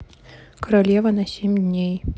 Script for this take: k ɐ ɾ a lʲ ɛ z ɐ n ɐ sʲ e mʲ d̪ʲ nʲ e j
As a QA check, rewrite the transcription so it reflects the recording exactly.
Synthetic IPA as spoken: k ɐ ɾ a lʲ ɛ v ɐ n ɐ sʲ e mʲ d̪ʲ nʲ e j